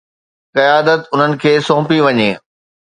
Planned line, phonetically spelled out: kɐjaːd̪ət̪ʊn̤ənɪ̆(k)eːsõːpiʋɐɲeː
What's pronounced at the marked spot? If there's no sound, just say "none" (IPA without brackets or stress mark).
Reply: kʰ